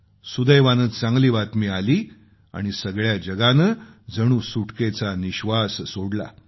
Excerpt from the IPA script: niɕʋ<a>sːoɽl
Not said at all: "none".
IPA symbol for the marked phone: a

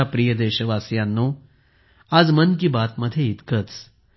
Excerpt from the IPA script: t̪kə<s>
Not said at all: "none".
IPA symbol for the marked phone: t͡s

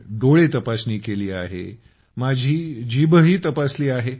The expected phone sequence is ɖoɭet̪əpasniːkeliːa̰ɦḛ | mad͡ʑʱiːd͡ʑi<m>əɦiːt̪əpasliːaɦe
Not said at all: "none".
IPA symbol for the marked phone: b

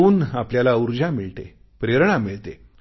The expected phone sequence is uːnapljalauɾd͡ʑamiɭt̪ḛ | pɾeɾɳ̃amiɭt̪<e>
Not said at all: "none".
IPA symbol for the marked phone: e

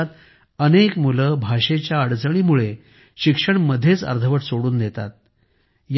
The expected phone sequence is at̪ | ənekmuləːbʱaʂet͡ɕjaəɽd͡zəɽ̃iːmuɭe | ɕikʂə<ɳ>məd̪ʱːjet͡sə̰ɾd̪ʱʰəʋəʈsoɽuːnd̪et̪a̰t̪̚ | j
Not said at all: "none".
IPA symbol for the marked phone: ɳ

